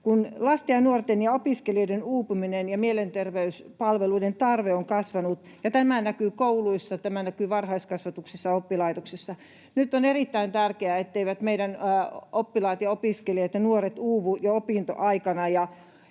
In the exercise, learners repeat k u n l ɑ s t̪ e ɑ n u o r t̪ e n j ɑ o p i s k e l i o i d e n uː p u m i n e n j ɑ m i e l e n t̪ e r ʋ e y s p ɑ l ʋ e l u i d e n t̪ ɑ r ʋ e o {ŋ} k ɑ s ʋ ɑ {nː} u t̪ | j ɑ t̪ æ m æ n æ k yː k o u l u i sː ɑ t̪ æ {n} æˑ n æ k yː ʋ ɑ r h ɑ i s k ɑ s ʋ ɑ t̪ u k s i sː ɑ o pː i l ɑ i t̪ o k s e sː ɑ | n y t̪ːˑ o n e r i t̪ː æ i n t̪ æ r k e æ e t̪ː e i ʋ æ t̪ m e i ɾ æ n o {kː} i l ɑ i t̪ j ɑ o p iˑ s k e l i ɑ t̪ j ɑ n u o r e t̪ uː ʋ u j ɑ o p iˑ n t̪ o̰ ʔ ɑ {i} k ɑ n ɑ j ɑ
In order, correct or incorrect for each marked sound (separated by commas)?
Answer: correct, incorrect, incorrect, incorrect, correct